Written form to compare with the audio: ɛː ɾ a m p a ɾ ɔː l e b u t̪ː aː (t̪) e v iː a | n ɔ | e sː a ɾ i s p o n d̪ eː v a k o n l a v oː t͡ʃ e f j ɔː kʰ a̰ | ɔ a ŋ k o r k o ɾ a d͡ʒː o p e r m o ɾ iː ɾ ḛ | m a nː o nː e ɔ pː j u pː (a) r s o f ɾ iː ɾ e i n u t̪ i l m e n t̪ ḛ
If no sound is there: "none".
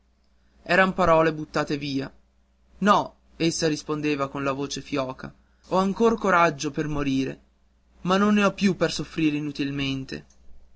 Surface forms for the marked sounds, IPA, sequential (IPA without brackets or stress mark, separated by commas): t̪, e